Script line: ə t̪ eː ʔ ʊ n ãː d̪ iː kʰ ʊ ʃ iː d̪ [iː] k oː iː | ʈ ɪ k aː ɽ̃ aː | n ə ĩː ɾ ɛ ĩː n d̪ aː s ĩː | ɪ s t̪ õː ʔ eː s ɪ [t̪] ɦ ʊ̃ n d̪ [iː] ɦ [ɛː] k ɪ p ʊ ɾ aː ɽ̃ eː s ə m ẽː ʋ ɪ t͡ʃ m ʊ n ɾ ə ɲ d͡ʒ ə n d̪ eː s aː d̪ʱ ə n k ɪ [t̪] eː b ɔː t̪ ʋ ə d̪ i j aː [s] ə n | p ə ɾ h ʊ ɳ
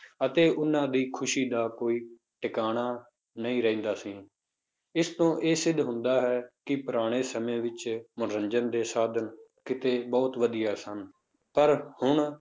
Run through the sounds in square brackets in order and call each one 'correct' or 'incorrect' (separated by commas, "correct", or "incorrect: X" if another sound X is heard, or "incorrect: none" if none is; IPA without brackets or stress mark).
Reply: incorrect: aː, incorrect: d̪, incorrect: aː, correct, correct, correct